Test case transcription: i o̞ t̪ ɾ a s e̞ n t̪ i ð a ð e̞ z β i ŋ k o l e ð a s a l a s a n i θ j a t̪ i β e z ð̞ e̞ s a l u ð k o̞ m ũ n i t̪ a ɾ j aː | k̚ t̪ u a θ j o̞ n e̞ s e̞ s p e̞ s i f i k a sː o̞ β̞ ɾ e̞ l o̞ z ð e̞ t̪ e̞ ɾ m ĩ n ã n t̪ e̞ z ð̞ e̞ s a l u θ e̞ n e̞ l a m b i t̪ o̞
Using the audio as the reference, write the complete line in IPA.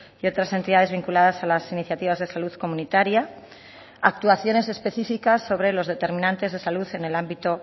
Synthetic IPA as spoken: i o̞ t̪ ɾ a s e̞ n t̪ i ð a ð e̞ z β i ŋ k u l a ð a s a l a s i n i θ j a t̪ i β a z ð̞ e̞ s a l u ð k o̞ m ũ n i t̪ a ɾ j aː | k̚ t̪ u a θ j o̞ n e̞ s e̞ s p e̞ θ i f i k a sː o̞ β̞ ɾ e̞ l o̞ z ð e̞ t̪ e̞ ɾ m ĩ n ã n t̪ e̞ z ð̞ e̞ s a l u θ e̞ n e̞ l a m b i t̪ o̞